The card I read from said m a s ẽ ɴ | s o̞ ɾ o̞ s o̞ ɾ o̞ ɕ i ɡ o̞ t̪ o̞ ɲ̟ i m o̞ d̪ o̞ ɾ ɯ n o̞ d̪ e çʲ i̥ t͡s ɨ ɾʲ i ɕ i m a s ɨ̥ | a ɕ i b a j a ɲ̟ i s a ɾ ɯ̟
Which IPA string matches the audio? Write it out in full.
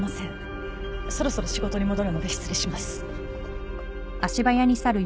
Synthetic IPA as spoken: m a s ẽ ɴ | s o̞ ɾ o̞ s o̞ ɾ o̞ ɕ i ɡ o̞ t̪ o̞ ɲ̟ i m o̞ d̪ o̞ ɾ ɯ n o̞ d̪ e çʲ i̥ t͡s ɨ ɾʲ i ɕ i m a s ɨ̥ | a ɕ i b a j a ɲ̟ i s a ɾ ɯ̟